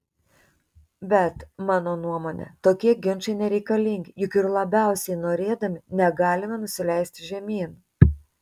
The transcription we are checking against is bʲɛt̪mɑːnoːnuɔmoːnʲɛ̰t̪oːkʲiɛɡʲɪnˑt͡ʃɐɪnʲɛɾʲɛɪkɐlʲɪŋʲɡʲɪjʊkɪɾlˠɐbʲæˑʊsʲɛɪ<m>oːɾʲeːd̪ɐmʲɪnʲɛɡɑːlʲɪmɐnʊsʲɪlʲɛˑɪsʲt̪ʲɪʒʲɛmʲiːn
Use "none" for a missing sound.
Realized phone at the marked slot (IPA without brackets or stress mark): n